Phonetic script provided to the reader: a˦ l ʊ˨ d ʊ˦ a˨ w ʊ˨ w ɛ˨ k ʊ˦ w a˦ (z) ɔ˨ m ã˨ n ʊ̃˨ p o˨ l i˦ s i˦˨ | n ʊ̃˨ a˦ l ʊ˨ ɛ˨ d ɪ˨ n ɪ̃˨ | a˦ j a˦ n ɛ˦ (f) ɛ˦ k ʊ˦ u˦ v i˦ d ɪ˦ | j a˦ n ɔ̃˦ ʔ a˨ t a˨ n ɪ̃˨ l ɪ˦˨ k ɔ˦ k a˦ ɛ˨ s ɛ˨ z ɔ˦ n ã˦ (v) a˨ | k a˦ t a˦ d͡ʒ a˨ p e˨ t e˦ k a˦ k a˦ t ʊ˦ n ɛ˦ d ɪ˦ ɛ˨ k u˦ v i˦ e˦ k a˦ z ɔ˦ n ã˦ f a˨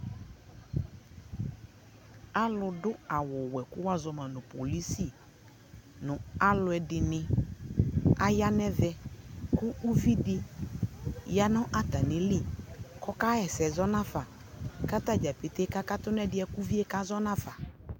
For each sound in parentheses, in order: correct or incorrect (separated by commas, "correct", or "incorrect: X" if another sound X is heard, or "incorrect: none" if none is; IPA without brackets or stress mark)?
correct, incorrect: v, incorrect: f